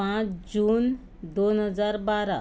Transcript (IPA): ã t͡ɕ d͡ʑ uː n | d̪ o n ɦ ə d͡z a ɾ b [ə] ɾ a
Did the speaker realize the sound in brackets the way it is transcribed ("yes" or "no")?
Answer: no